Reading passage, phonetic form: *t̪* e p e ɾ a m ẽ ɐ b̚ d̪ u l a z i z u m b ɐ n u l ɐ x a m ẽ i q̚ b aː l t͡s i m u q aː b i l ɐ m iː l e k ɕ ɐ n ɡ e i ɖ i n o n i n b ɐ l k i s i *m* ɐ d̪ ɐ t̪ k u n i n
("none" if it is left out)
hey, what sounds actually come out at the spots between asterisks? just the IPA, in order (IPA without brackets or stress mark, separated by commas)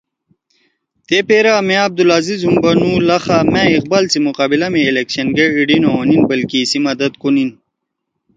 t̪, m